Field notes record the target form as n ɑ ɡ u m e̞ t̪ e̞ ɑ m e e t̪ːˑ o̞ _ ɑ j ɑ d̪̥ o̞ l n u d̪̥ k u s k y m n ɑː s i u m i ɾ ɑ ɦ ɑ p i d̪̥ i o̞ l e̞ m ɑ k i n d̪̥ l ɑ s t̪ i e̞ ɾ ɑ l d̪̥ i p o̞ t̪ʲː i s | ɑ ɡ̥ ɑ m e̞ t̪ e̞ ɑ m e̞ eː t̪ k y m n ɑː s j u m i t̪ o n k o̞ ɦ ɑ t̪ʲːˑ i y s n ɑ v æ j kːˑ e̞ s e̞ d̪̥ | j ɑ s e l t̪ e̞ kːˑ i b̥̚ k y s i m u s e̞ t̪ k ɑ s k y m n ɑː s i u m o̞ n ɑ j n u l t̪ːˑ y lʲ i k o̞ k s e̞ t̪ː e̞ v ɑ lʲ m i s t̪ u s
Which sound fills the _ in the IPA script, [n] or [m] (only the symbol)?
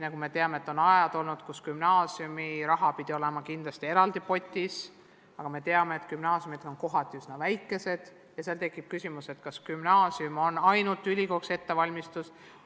n